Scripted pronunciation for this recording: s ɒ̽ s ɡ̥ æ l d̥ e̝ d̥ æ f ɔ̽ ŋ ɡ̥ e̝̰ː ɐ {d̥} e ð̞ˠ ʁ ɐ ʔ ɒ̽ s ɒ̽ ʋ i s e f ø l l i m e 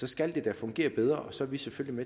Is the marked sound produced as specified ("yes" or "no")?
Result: no